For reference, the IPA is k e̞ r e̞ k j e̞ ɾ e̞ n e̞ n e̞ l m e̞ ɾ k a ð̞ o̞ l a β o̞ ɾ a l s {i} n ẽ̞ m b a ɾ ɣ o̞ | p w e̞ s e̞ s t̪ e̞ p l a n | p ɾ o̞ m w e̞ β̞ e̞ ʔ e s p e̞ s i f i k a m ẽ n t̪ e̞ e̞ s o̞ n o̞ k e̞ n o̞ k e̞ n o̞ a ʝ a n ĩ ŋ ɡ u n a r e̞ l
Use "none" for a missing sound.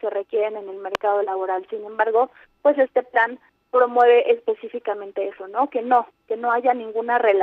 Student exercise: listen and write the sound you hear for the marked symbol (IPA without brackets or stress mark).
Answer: i